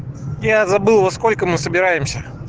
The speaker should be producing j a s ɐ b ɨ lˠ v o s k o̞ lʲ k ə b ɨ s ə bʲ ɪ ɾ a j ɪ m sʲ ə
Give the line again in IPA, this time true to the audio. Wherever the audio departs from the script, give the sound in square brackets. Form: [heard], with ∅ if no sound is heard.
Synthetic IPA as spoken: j a [z] ɐ b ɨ lˠ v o s k o̞ lʲ k ə [m] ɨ s ə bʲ ɪ ɾ a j ɪ m sʲ ə